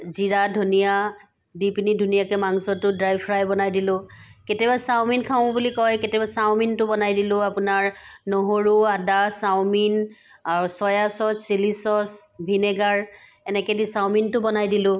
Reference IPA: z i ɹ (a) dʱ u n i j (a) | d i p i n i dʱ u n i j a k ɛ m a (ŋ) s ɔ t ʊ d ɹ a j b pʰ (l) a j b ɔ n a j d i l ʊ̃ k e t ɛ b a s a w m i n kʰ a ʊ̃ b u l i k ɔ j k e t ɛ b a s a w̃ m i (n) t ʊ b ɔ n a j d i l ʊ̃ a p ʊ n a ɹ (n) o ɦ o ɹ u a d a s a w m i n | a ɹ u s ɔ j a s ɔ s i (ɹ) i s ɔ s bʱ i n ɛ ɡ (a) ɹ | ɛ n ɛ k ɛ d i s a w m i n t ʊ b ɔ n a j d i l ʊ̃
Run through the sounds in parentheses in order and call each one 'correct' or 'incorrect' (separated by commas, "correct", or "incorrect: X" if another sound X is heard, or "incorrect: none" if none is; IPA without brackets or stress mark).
correct, correct, correct, incorrect: ɹ, correct, correct, incorrect: l, correct